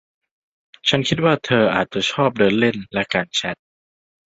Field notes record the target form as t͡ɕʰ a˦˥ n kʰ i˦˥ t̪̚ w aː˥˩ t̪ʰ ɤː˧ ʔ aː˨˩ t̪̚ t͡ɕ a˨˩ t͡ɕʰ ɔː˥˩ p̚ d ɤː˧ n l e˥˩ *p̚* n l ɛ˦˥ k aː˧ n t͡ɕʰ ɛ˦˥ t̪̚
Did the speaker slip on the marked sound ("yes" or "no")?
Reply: yes